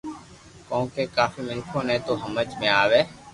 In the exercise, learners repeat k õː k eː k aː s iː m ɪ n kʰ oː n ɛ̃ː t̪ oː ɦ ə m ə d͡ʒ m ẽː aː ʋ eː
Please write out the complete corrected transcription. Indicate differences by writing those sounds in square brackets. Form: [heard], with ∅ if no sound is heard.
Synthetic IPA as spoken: k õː k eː k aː [f] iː m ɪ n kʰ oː n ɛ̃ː t̪ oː ɦ ə m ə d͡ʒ m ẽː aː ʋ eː